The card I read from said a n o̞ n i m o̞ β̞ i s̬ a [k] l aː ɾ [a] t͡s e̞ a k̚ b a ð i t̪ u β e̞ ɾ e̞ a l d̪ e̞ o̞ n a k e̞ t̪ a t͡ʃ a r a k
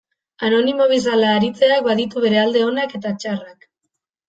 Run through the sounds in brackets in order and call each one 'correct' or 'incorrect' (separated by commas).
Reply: incorrect, incorrect